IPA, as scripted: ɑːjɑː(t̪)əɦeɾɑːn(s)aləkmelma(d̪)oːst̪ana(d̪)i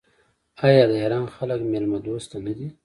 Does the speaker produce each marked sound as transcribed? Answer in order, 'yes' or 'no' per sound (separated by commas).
no, no, yes, yes